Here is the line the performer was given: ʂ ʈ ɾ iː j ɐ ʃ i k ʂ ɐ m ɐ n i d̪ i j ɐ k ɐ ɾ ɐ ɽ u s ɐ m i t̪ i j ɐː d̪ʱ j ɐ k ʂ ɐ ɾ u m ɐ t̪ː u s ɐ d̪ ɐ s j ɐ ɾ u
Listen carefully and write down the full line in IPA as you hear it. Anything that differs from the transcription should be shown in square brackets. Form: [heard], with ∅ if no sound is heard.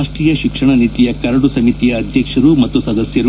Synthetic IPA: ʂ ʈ ɾ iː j ɐ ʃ i k ʂ ɐ [ɳ] ɐ n i [t̪] i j ɐ k ɐ ɾ ɐ ɽ u s ɐ m i t̪ i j ɐː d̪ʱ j ɐ k ʂ ɐ ɾ u m ɐ t̪ː u s ɐ d̪ ɐ s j ɐ ɾ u